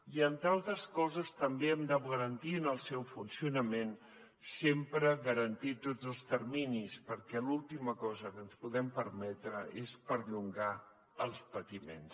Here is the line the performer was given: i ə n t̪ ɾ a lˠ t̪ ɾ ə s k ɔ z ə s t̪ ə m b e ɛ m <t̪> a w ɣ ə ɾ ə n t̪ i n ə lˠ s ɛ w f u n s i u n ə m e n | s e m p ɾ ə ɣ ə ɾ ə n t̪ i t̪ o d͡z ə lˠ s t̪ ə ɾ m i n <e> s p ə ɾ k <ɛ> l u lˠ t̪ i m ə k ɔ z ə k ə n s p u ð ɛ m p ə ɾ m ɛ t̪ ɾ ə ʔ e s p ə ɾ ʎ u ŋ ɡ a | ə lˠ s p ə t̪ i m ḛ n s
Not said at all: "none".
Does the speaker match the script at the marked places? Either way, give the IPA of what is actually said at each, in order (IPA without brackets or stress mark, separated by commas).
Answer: d̪, i, ɛ